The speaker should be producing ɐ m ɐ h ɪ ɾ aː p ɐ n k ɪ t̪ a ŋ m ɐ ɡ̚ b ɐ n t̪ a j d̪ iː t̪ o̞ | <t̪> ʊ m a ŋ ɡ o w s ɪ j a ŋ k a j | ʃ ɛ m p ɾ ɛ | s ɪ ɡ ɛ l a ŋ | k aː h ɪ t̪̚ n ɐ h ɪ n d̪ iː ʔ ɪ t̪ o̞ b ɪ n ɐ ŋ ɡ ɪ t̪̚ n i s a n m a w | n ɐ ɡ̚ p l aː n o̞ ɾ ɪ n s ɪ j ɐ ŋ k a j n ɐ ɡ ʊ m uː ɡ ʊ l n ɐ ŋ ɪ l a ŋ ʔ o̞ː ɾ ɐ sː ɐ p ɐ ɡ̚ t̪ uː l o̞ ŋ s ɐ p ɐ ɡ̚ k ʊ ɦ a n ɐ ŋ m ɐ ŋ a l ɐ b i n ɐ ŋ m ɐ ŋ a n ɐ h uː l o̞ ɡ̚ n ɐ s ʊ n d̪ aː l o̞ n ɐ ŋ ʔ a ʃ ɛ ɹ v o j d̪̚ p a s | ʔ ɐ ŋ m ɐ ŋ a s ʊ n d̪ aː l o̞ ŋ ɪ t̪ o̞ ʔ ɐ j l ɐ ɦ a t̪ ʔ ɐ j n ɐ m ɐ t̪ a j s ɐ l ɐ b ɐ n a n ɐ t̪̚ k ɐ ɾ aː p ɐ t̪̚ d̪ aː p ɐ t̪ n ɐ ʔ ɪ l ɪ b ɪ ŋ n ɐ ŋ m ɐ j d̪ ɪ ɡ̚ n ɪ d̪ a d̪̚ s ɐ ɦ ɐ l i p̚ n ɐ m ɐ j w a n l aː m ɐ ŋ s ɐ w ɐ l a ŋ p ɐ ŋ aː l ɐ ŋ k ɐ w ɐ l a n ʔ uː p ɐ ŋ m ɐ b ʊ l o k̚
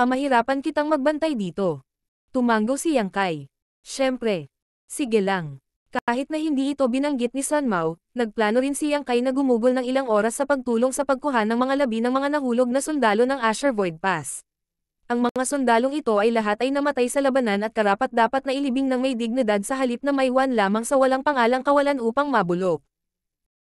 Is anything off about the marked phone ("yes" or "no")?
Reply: no